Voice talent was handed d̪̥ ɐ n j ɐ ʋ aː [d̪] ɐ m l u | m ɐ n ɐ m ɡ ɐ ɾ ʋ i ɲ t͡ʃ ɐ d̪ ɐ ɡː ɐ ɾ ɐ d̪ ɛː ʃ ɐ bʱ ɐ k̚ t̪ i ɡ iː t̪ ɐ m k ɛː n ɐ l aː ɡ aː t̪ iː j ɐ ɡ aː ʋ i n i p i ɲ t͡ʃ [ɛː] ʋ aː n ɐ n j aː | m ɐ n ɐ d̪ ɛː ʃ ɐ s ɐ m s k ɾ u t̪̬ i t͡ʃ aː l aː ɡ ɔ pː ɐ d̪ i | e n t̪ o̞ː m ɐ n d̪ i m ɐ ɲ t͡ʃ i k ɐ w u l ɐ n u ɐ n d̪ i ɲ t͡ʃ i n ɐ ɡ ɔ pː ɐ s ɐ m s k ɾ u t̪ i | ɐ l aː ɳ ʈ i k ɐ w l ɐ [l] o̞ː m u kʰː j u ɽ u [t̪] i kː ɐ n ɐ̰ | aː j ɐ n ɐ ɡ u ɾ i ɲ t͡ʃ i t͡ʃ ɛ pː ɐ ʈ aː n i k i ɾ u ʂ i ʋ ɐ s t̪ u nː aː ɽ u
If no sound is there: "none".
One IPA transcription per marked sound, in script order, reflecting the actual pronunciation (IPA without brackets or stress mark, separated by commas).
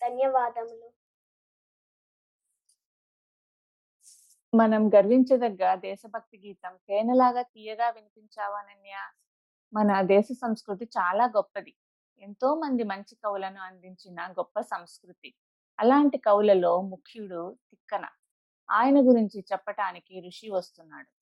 d̪, aː, l, t̪